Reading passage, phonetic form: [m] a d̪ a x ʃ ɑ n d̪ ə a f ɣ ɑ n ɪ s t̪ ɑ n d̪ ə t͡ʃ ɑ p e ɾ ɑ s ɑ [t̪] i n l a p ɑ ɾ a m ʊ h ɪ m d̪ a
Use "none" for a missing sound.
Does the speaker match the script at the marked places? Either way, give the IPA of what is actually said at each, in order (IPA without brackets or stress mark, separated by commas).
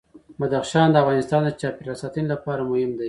m, t̪